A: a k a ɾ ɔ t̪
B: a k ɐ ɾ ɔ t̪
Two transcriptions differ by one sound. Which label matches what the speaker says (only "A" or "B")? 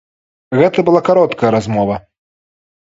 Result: A